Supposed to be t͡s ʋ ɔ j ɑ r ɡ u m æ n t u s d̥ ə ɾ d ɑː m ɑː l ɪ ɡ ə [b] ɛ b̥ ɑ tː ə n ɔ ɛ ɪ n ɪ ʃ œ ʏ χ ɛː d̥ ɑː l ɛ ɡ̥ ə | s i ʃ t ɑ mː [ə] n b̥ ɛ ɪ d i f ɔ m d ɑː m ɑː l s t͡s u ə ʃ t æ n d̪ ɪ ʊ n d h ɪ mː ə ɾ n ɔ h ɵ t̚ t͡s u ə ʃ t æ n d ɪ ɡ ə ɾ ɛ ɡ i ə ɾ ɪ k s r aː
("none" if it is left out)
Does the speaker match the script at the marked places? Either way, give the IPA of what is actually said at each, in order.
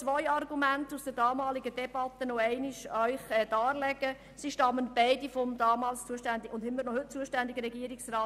d, ə

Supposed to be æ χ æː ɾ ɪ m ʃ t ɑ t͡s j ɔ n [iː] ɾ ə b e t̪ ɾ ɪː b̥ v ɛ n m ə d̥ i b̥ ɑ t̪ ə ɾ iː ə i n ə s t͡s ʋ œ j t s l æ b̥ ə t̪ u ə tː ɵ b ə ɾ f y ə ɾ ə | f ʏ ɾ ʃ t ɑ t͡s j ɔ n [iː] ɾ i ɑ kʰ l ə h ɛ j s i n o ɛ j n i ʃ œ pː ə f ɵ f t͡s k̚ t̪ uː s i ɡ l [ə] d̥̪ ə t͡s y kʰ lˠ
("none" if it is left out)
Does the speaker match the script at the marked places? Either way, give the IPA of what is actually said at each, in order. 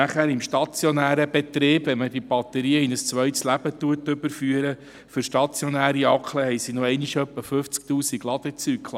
æː, æː, ɑ

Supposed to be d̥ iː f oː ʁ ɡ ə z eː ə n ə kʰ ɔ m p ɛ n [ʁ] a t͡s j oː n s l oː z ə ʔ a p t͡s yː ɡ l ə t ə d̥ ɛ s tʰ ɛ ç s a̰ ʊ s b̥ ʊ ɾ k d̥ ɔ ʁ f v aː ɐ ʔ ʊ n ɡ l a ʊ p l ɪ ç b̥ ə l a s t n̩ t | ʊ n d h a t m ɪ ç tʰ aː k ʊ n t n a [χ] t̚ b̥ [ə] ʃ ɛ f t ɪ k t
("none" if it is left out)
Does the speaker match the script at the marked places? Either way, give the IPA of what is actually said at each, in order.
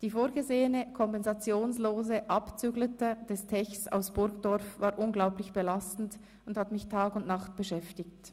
z, χ, ə

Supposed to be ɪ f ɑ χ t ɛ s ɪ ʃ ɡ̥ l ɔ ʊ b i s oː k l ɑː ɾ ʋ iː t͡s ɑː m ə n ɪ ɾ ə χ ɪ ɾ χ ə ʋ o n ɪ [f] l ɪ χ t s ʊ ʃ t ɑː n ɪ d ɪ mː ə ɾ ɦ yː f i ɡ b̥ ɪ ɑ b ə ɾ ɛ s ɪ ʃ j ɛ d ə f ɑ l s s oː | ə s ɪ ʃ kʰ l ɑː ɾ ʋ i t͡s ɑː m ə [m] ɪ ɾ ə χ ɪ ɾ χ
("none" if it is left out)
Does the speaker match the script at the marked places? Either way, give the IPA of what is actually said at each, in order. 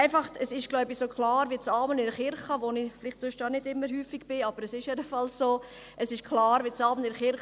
f, n

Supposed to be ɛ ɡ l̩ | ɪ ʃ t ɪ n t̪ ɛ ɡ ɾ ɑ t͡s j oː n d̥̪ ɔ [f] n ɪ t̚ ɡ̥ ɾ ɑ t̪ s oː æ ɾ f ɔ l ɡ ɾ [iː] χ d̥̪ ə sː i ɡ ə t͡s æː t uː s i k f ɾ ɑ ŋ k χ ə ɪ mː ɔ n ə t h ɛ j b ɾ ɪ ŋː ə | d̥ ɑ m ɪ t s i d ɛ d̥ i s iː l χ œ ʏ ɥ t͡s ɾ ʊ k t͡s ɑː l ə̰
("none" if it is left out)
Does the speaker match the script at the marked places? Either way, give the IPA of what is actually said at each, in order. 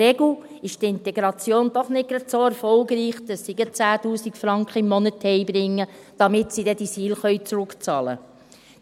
χ, iː

